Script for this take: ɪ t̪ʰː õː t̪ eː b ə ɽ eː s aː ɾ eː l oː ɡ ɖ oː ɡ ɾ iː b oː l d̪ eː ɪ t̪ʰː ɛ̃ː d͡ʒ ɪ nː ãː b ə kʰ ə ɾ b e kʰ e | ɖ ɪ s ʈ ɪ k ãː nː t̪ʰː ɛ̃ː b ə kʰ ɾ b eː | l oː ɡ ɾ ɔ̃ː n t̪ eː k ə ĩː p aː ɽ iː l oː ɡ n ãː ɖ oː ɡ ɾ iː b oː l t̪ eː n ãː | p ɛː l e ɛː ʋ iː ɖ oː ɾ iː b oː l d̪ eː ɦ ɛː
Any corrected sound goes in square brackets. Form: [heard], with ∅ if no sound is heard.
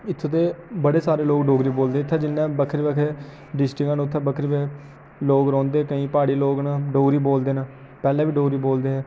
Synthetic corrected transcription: ɪ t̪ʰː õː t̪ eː b ə ɽ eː s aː ɾ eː l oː ɡ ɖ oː ɡ ɾ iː b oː l d̪ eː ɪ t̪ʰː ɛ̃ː d͡ʒ ɪ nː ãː b ə kʰ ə ɾ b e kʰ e | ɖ ɪ s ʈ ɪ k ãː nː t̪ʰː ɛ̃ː b ə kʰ ɾ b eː | l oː ɡ ɾ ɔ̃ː n [d̪] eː k ə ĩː p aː ɽ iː l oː ɡ n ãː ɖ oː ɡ ɾ iː b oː l [d̪] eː n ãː | p ɛː l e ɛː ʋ iː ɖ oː ɾ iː b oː l d̪ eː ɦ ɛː

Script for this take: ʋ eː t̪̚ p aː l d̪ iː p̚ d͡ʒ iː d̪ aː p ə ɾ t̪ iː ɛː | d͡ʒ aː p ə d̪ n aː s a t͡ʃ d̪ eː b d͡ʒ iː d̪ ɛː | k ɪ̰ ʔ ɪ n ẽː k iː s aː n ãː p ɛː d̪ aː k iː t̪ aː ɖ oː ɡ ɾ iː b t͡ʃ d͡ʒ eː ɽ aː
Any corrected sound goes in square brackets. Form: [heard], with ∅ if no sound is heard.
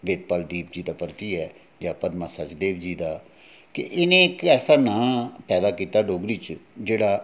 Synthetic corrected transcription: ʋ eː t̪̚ p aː l d̪ iː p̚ d͡ʒ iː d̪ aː p ə ɾ t̪ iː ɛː | d͡ʒ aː p ə d̪ [m] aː s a t͡ʃ d̪ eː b d͡ʒ iː d̪ [aː] | k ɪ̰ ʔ ɪ n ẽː k [ɛː] s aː n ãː p ɛː d̪ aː k iː t̪ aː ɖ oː ɡ ɾ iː [∅] t͡ʃ d͡ʒ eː ɽ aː

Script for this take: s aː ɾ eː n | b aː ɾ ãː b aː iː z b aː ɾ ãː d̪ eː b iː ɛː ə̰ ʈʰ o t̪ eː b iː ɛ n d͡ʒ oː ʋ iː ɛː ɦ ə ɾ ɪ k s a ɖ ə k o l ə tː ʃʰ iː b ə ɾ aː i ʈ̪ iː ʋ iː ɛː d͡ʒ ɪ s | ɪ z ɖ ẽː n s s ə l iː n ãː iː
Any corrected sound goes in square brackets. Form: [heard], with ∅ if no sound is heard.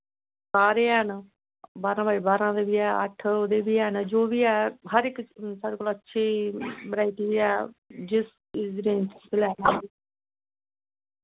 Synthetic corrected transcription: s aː ɾ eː n | b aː ɾ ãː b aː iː [∅] b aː ɾ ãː d̪ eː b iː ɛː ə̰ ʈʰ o [d̪] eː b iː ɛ n d͡ʒ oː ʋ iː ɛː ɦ ə ɾ ɪ k s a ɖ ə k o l ə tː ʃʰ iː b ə ɾ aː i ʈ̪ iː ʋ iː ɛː d͡ʒ ɪ s | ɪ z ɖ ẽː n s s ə l [ɛː] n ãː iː

